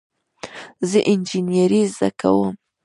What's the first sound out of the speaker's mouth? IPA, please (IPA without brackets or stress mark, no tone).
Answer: z